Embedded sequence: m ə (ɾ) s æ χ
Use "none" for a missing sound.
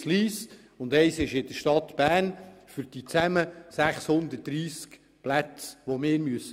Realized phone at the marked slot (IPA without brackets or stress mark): none